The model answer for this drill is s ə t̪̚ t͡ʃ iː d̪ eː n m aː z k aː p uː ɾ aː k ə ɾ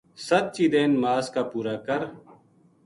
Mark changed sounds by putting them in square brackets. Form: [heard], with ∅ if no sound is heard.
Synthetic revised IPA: s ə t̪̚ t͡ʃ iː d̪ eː n m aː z k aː p uː ɾ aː k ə ɾ